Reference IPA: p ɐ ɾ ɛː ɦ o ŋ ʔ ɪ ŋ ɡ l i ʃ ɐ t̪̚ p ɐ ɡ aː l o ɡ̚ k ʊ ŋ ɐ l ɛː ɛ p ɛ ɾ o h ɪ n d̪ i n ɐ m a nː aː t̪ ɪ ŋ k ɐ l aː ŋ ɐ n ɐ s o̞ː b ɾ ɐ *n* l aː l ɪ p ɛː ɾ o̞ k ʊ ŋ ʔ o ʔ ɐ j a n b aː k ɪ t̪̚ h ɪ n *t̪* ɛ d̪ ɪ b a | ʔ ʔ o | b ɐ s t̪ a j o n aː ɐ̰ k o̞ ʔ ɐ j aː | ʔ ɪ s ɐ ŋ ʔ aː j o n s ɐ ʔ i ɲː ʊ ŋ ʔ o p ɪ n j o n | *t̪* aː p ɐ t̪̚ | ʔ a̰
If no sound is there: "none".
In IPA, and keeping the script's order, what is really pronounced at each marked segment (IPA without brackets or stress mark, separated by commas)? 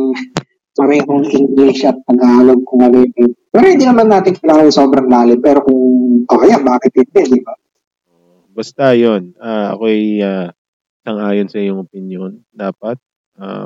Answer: ŋ, d̪, d̪